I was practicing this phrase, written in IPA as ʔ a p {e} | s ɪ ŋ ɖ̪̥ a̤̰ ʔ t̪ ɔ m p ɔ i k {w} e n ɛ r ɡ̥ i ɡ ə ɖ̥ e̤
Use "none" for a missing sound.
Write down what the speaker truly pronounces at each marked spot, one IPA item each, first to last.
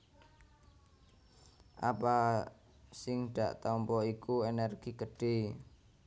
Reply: a, u

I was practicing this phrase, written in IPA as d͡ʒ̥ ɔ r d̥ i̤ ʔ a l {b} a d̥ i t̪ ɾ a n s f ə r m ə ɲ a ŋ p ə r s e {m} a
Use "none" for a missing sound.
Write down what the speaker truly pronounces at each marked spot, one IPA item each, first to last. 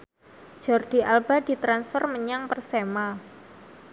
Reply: b, m

